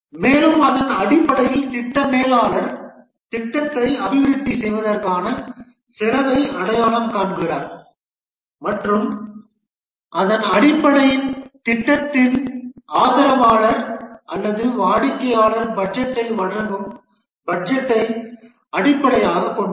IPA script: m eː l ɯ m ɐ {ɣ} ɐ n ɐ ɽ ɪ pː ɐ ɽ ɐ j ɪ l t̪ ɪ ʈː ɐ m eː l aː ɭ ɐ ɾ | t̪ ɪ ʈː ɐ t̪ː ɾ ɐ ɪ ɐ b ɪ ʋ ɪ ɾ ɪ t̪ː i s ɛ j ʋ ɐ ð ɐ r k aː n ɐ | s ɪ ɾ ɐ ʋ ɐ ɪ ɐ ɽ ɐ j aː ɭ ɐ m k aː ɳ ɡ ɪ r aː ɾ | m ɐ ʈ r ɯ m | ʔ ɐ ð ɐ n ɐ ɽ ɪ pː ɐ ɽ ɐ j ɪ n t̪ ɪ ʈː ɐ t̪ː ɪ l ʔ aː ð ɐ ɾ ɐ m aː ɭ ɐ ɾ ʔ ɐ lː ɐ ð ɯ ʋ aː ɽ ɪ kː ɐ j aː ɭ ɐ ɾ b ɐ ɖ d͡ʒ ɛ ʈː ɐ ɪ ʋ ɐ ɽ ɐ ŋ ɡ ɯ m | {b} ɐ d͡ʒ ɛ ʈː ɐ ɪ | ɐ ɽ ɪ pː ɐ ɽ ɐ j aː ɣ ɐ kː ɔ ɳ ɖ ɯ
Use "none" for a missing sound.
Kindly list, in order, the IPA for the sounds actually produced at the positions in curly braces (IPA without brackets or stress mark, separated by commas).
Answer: ð, b